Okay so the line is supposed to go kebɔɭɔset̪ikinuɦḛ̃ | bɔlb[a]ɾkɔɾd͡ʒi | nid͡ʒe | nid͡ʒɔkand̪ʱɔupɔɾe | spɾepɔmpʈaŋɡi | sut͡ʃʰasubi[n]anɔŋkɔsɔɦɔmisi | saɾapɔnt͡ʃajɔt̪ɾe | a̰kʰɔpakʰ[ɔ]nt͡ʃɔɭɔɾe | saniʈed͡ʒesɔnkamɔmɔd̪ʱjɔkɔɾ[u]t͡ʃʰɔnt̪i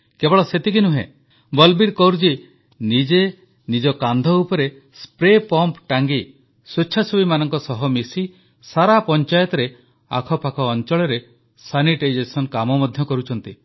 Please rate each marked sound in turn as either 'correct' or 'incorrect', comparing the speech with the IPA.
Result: incorrect: i, incorrect: m, incorrect: ɔː, correct

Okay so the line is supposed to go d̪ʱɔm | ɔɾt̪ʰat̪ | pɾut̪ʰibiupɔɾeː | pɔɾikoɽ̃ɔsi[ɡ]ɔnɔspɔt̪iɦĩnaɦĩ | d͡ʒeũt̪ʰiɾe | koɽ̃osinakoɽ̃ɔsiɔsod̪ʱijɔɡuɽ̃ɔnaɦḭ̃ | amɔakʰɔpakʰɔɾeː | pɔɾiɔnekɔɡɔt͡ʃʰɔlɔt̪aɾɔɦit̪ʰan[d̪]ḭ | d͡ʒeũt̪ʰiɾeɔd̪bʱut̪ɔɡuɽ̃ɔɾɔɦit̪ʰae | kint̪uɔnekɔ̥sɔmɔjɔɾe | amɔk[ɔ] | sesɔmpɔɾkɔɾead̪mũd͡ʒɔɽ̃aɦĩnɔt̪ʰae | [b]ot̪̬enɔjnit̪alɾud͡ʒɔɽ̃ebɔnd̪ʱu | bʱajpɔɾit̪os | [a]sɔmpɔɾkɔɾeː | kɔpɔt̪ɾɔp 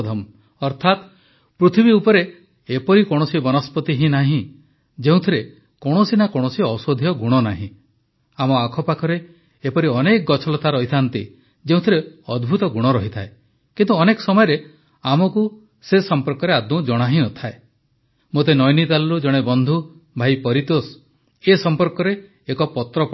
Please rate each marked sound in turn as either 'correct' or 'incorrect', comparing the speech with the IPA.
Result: incorrect: b, incorrect: t̪, incorrect: u, incorrect: m, incorrect: e

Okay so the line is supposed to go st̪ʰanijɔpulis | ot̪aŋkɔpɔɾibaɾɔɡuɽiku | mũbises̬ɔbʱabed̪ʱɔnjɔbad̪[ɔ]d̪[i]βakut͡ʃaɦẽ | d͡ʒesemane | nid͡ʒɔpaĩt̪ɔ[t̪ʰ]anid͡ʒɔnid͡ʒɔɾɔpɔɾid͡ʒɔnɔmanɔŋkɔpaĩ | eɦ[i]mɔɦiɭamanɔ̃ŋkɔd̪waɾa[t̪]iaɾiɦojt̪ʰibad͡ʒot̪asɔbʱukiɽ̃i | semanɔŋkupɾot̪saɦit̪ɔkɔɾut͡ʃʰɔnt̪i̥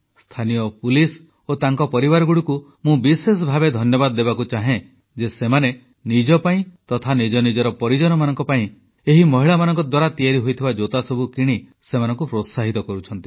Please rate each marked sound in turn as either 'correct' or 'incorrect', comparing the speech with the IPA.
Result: correct, incorrect: e, correct, correct, correct

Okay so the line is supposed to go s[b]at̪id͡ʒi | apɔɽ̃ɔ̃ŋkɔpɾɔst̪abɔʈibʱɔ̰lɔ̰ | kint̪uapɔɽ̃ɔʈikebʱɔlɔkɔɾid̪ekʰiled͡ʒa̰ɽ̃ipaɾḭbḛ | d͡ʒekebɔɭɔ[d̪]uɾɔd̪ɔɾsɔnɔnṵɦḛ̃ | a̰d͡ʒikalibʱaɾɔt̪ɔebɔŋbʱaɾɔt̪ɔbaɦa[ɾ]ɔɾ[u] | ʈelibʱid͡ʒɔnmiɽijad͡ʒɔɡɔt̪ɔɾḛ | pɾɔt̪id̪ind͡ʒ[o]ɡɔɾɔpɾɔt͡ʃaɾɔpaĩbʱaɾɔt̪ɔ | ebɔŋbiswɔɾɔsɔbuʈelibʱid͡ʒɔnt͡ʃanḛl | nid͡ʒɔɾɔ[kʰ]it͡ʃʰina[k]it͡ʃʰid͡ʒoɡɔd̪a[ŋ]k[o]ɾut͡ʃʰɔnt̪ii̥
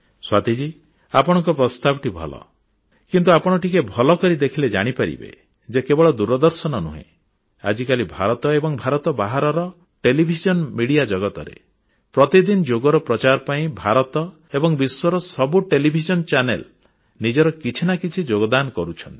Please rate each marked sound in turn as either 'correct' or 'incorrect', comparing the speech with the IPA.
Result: incorrect: w, correct, correct, incorrect: ɔ, correct, incorrect: k, correct, incorrect: n, incorrect: ɔ

